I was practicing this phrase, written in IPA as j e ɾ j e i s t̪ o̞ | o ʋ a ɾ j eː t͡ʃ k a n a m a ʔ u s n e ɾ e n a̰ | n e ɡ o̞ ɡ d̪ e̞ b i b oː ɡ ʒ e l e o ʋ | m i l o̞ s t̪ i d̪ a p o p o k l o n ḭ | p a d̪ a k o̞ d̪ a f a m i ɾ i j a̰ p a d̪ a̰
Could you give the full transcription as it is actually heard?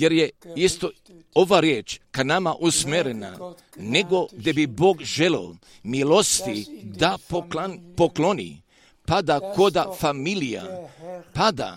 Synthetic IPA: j e ɾ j e i s t̪ o̞ | o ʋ a ɾ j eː t͡ʃ k a n a m a ʔ u s m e ɾ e n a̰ | n e ɡ o̞ ɡ d̪ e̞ b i b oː ɡ ʒ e l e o | m i l o̞ s t̪ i d̪ a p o p o k l o n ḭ | p a d̪ a k o̞ d̪ a f a m i l i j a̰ p a d̪ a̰